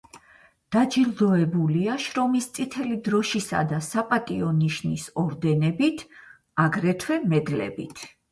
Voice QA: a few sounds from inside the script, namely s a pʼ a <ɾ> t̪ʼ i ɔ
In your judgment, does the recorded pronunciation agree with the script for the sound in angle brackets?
no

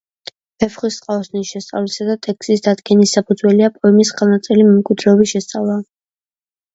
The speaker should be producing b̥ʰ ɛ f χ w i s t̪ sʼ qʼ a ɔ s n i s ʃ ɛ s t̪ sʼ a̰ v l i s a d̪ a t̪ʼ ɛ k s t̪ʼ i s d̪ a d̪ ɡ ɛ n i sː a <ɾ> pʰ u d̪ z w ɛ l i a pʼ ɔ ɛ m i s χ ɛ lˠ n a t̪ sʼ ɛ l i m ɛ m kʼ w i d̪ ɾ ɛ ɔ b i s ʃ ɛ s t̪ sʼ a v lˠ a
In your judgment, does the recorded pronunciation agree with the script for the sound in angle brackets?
no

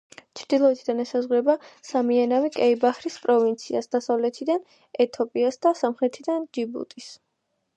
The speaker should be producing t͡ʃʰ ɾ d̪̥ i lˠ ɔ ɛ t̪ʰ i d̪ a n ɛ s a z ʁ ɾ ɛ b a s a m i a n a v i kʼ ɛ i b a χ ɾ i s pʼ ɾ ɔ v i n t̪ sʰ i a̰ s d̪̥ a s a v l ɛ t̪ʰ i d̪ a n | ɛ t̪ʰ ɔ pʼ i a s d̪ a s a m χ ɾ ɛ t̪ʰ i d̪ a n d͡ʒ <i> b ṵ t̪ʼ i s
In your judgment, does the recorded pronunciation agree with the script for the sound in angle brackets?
yes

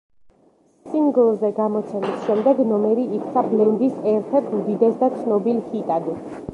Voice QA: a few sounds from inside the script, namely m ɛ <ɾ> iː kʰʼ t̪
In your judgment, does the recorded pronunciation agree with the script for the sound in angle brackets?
yes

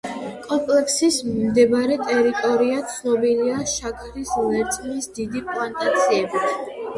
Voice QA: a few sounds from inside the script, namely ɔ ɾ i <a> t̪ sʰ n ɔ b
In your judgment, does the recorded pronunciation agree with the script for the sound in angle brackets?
yes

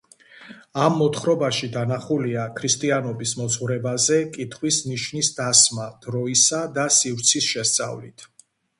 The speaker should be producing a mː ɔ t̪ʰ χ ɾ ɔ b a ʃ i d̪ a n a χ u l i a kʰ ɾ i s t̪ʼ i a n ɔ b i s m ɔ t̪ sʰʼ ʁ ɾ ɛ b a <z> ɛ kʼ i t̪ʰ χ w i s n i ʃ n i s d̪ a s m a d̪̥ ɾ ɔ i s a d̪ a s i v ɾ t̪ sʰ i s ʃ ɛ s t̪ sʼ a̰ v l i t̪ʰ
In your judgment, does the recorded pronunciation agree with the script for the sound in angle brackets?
yes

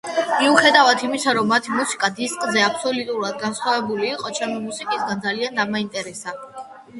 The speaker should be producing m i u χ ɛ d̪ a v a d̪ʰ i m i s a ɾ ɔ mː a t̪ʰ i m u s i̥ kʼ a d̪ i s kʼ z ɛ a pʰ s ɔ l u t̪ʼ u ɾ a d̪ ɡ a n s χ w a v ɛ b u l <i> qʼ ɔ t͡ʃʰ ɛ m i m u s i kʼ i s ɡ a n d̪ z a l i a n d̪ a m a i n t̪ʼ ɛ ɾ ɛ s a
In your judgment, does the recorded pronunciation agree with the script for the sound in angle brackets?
no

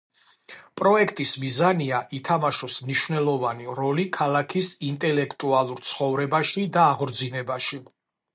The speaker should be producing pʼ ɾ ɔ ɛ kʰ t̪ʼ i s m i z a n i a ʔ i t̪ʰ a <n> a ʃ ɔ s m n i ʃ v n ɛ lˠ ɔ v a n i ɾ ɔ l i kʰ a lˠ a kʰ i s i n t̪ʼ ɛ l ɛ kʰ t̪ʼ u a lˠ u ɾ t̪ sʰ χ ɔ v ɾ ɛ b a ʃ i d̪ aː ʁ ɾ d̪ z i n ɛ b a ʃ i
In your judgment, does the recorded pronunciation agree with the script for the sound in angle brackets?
no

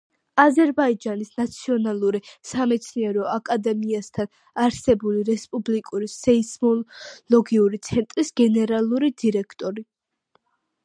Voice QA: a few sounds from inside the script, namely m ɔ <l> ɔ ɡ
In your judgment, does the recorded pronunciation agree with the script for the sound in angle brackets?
yes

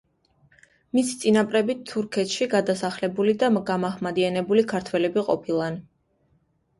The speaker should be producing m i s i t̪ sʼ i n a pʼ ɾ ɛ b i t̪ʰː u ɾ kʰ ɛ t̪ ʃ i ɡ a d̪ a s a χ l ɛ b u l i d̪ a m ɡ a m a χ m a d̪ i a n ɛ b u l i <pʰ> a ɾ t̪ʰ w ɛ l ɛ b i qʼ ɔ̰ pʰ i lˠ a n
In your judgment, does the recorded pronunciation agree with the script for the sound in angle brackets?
no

